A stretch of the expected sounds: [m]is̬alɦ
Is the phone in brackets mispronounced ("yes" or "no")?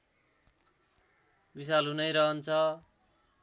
yes